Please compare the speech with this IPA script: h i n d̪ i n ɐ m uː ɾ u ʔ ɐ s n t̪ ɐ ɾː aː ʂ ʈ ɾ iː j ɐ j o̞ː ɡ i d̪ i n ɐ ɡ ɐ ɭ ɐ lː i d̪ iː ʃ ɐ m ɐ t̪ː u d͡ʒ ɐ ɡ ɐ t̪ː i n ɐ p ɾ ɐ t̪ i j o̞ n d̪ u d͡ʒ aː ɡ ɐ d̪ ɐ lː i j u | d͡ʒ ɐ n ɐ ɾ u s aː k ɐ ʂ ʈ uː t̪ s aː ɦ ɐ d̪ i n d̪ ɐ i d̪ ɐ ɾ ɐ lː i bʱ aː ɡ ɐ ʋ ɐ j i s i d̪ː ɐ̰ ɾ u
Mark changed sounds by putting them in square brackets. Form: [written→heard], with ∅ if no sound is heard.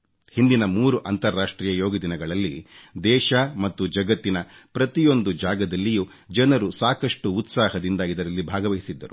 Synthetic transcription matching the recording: h i n d̪ i n ɐ m uː ɾ u ʔ ɐ [s→∅] n t̪ ɐ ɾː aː ʂ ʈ ɾ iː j ɐ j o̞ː ɡ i d̪ i n ɐ ɡ ɐ ɭ ɐ lː i d̪ [iː→ɛː] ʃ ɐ m ɐ t̪ː u d͡ʒ ɐ ɡ ɐ t̪ː i n ɐ p ɾ ɐ t̪ i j o̞ n d̪ u d͡ʒ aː ɡ ɐ d̪ ɐ lː i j u | d͡ʒ ɐ n ɐ ɾ u s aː k ɐ ʂ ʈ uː t̪ s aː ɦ ɐ d̪ i n d̪ ɐ i d̪ ɐ ɾ ɐ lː i bʱ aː ɡ ɐ ʋ ɐ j i s i d̪ː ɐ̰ ɾ u

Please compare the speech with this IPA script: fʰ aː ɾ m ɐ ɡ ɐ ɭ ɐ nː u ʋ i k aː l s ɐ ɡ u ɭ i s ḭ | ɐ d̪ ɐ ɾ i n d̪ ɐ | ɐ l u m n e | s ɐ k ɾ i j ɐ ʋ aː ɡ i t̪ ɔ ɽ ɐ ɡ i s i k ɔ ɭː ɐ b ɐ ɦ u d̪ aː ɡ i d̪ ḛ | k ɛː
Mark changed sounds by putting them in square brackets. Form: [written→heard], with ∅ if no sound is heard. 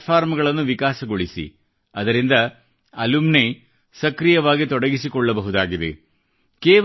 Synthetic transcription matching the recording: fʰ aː ɾ m ɐ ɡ ɐ ɭ ɐ nː u ʋ i k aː [l→∅] s ɐ ɡ [u→o] ɭ i s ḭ | ɐ d̪ ɐ ɾ i n d̪ ɐ | ɐ l u m n e | s ɐ k ɾ i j ɐ ʋ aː ɡ i t̪ ɔ ɽ ɐ ɡ i s i k ɔ ɭː ɐ b ɐ ɦ u d̪ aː ɡ i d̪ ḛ | k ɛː

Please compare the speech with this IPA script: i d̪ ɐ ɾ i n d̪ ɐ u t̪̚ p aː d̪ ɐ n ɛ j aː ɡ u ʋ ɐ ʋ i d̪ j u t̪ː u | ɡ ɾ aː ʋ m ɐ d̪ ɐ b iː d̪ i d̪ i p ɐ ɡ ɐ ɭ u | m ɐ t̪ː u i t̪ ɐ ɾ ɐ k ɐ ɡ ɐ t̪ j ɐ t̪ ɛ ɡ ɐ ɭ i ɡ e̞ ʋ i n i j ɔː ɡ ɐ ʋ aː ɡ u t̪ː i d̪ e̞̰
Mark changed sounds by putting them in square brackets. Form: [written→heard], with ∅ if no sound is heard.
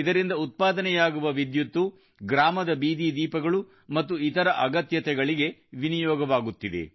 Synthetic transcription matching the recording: i d̪ ɐ ɾ i n d̪ ɐ u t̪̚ p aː d̪ ɐ n ɛ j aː ɡ u ʋ ɐ ʋ i d̪ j u t̪ː u | ɡ ɾ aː [ʋ→∅] m ɐ d̪ ɐ b iː d̪ i d̪ [i→iː] p ɐ ɡ ɐ ɭ u | m ɐ t̪ː u i t̪ ɐ ɾ ɐ [k→ʔ] ɐ ɡ ɐ t̪ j ɐ t̪ ɛ ɡ ɐ ɭ i ɡ e̞ ʋ i n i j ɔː ɡ ɐ ʋ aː ɡ u t̪ː i d̪ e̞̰

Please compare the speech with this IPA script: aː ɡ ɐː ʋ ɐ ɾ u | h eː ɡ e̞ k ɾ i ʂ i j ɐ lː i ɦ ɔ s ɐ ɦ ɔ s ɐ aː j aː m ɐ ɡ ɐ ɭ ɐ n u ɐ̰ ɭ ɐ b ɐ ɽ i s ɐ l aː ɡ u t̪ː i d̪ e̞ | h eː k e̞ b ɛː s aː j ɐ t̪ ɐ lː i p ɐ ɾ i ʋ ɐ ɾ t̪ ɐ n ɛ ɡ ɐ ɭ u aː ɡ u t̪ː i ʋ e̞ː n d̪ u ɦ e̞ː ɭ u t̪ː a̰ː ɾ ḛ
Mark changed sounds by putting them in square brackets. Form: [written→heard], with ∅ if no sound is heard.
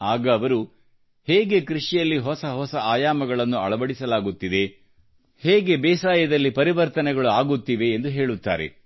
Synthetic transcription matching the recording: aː ɡ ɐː ʋ ɐ ɾ u | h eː ɡ e̞ k ɾ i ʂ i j ɐ lː i ɦ ɔ s ɐ ɦ ɔ s ɐ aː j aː m ɐ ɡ ɐ ɭ ɐ [n→nː] u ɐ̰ ɭ ɐ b ɐ ɽ i s ɐ l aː ɡ u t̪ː i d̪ e̞ | h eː [k→ɡ] e̞ b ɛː s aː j ɐ [t̪→d̪] ɐ lː i p ɐ ɾ i ʋ ɐ ɾ t̪ ɐ n ɛ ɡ ɐ ɭ u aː ɡ u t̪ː i ʋ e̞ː n d̪ u ɦ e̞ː ɭ u t̪ː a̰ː ɾ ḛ

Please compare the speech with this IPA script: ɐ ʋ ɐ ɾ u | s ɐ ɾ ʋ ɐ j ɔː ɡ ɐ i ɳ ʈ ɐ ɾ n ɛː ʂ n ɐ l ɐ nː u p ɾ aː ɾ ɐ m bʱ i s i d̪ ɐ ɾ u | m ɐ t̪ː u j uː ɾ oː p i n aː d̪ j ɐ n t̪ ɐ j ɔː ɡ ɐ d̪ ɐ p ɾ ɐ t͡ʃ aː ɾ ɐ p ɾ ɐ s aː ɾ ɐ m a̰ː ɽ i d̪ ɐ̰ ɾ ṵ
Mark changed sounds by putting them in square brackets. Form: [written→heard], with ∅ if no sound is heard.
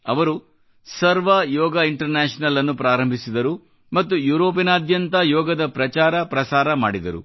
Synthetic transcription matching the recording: ɐ ʋ ɐ ɾ u | s ɐ ɾ ʋ ɐ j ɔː ɡ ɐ i ɳ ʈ ɐ ɾ n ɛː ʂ n ɐ l ɐ nː u p ɾ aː ɾ ɐ m bʱ i s i d̪ ɐ ɾ u | m ɐ t̪ː u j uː ɾ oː p i n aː d̪ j ɐ n t̪ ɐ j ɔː ɡ ɐ d̪ ɐ p ɾ ɐ t͡ʃ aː ɾ ɐ p ɾ ɐ s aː ɾ ɐ m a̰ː ɽ i d̪ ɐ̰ ɾ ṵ

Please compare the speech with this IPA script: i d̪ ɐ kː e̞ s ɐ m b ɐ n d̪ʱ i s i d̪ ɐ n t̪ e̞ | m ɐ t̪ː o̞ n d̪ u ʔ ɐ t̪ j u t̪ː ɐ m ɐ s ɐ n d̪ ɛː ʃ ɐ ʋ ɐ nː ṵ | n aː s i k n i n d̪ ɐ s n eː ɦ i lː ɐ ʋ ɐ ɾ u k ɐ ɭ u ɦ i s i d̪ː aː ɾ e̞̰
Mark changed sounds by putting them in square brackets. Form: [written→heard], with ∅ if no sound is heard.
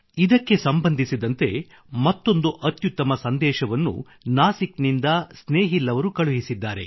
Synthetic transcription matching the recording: i d̪ ɐ kː e̞ s ɐ m b ɐ n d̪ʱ i s i d̪ ɐ n t̪ e̞ | m ɐ t̪ː o̞ n d̪ u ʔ ɐ t̪ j u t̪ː ɐ m ɐ s ɐ n d̪ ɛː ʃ ɐ ʋ ɐ nː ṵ | n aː s i k n i n d̪ ɐ s n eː ɦ i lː ɐ ʋ ɐ ɾ u k ɐ ɭ u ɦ i s i d̪ː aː ɾ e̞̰

